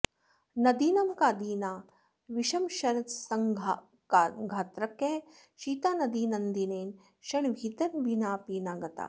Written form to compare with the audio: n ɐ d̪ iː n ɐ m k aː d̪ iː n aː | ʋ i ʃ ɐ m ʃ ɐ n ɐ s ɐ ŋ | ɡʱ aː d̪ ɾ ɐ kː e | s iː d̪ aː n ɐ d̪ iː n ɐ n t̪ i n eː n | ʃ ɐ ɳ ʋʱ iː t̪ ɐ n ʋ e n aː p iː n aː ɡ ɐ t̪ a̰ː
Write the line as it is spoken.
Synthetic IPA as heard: n ɐ d̪ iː n ɐ m k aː d̪ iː n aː | ʋ i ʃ ɐ m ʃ ɐ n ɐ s ɐ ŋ | ɡʱ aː t̪ ɾ ɐ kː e | ʃ iː t̪ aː n ɐ d̪ iː n ɐ n d̪ i n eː n | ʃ ɐ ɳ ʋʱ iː t̪ ɐ n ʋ i n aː p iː n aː ɡ ɐ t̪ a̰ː